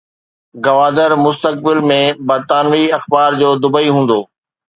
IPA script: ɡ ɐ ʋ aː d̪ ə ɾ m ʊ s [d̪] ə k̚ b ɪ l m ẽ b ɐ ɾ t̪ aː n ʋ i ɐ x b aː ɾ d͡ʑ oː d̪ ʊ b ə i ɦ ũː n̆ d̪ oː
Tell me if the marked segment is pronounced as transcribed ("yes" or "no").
no